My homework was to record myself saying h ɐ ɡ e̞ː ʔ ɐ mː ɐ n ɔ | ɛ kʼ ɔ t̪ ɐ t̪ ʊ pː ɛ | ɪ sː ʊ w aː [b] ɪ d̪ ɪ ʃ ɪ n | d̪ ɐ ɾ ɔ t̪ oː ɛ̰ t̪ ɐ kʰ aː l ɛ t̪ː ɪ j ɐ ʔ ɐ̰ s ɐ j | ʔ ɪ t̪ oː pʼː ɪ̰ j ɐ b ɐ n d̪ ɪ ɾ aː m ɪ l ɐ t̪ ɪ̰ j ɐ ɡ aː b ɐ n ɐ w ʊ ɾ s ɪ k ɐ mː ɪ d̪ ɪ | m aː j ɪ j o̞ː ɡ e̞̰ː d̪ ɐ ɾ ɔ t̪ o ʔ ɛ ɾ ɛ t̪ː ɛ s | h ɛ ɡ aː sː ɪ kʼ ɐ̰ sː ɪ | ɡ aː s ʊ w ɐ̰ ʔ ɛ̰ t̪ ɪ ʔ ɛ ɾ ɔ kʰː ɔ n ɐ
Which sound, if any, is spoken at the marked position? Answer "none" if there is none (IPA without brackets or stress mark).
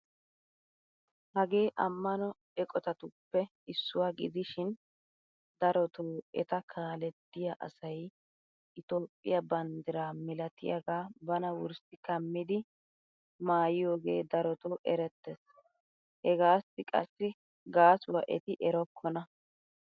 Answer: ɡ